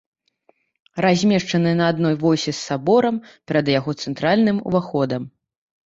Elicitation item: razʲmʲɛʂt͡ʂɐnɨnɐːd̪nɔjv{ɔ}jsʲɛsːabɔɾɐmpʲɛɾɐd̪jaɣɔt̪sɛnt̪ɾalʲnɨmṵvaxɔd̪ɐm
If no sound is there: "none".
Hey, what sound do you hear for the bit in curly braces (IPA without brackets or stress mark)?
ɔ